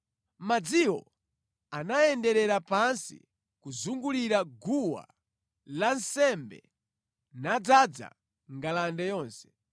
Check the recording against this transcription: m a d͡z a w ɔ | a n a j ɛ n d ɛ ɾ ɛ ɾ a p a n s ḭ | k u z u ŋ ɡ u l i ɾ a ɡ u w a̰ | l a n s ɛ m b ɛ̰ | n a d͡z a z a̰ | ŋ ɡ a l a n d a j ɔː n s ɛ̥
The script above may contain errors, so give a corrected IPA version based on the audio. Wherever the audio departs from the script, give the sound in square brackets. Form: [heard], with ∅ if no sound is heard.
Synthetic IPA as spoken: m a d͡z [i] w ɔ | a n a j ɛ n d ɛ ɾ ɛ ɾ a p a n s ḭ | k u z u ŋ ɡ u l i ɾ a ɡ u w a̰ | l a n s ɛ m b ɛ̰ | n a d͡z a [d͡z] a̰ | ŋ ɡ a l a n d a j ɔː n s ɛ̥